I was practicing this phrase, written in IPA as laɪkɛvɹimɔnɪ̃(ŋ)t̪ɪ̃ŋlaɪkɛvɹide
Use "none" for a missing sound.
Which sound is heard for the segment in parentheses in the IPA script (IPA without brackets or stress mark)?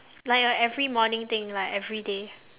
ŋ